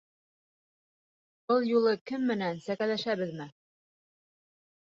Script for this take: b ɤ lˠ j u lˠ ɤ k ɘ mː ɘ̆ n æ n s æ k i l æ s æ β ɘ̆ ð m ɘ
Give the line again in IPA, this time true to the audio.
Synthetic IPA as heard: b ɤ lˠ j u lˠ ɤ k ɘ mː ɘ̆ n æ n s æ k æ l æ ʃ æ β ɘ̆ ð m ɘ